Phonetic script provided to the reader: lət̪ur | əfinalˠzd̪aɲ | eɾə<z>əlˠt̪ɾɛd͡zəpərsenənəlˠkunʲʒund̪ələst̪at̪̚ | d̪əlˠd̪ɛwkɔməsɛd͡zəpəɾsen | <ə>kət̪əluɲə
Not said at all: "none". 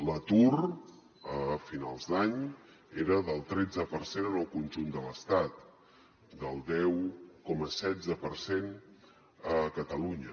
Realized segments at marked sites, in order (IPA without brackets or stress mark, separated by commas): ð, ə